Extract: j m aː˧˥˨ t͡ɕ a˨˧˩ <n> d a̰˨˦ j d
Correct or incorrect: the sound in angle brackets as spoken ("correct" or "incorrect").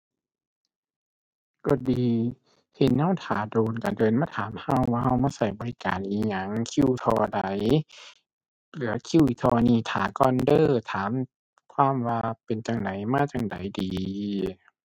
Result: incorrect